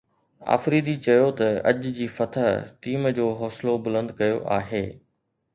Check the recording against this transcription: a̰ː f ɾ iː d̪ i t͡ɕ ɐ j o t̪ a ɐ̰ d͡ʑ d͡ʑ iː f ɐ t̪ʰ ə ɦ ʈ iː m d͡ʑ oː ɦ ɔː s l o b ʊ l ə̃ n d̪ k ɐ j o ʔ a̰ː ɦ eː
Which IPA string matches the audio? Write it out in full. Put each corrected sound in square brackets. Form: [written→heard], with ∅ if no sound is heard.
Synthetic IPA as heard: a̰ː f ɾ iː d̪ i t͡ɕ ɐ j o t̪ [a→ɐ] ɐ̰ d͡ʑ d͡ʑ iː f ɐ t̪ʰ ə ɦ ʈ iː m d͡ʑ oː ɦ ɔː s l o b ʊ l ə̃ n d̪ k ɐ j o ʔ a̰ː ɦ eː